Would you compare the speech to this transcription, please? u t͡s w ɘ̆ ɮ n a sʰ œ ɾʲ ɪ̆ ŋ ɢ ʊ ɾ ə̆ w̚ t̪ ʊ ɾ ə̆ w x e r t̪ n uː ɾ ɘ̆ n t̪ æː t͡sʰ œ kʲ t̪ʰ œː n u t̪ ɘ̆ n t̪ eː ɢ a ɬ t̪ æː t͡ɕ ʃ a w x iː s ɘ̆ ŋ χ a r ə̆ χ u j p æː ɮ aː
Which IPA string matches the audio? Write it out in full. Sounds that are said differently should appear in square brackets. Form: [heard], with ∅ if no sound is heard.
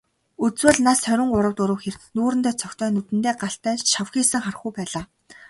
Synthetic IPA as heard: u t͡s w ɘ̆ ɮ n a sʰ œ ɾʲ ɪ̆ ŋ ɢ ʊ ɾ ə̆ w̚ t̪ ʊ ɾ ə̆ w x e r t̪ n uː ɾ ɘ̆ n t̪ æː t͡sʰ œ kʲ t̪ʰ œː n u t̪ ɘ̆ n t̪ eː ɢ a ɬ t̪ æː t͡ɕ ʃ a w x iː s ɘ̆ ŋ χ a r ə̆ χ u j p æː ɮ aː